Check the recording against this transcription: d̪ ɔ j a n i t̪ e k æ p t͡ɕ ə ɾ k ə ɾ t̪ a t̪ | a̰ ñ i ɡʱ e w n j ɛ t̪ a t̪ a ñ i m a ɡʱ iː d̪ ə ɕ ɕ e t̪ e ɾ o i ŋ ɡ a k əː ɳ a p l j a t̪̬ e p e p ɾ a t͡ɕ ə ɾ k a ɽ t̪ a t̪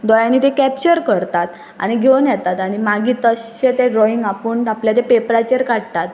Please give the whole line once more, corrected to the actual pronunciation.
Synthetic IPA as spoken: d̪ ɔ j a n i t̪ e k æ p t͡ɕ ə ɾ k ə ɾ t̪ a t̪ | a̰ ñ i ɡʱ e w n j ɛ t̪ a t̪ a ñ i m a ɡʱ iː t̪ ə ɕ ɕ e t̪ e ɾ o i ŋ ɡ a p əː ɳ a p l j a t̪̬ e p e p ɾ a t͡ɕ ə ɾ k a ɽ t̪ a t̪